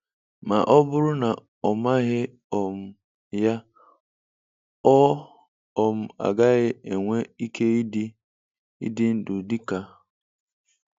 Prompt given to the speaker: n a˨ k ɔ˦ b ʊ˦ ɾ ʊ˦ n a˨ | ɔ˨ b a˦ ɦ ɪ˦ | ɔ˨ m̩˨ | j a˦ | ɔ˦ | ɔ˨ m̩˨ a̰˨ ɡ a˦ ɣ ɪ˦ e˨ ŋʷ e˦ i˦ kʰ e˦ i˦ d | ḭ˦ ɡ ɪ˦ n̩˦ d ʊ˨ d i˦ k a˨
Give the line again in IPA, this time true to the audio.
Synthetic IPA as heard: m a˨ ʔ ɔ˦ b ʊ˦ ɾ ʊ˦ n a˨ | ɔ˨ m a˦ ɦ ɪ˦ | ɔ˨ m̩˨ | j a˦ | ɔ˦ | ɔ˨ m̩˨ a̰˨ ɡ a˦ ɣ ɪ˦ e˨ ŋʷ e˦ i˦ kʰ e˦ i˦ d | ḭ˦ d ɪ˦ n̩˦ d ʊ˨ d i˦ k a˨